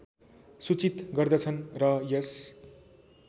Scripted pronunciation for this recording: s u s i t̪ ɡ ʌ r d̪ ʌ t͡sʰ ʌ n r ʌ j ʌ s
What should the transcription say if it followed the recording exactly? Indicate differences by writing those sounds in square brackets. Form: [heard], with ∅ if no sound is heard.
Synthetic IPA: s u [t͡s] i t̪ ɡ ʌ r d̪ ʌ t͡sʰ ʌ n r ʌ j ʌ s